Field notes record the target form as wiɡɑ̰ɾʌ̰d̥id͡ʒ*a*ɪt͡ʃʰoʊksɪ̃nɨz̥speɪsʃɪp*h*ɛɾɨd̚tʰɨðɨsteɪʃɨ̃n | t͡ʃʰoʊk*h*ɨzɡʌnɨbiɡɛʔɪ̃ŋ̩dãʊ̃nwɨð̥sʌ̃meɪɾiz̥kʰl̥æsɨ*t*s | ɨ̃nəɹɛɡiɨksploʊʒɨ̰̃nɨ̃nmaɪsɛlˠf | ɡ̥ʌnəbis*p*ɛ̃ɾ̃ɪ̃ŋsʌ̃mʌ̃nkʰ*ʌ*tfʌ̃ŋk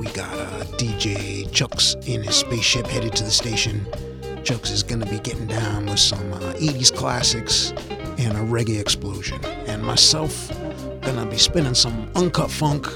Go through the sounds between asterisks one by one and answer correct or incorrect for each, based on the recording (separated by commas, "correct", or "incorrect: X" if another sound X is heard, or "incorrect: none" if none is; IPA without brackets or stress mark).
incorrect: e, correct, incorrect: s, incorrect: k, correct, correct